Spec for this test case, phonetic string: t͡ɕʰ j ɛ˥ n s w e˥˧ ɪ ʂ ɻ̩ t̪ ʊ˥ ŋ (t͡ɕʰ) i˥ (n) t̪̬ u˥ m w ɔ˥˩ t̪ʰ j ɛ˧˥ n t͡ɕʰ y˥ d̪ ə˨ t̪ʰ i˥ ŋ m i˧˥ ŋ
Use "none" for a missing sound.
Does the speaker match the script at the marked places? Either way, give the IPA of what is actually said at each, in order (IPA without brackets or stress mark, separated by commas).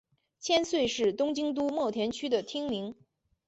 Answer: t͡ɕ, ŋ